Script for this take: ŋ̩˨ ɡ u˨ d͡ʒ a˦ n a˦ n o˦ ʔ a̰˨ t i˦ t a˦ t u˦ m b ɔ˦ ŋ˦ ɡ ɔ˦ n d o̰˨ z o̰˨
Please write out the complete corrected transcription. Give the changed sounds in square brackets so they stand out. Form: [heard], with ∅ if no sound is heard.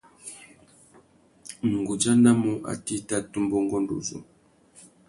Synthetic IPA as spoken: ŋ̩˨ ɡ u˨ d͡ʒ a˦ n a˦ [m] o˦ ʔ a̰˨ t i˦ t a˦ t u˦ m b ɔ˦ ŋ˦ ɡ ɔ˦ n d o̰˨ z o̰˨